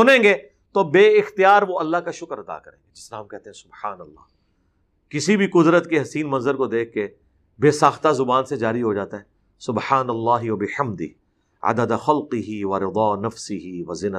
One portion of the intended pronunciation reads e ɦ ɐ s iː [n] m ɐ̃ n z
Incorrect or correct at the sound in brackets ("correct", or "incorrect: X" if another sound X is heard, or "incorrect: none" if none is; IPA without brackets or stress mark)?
correct